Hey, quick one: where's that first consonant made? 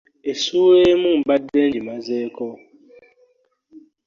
tongue tip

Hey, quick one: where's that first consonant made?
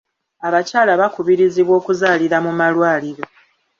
lips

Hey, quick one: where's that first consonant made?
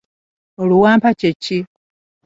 tongue tip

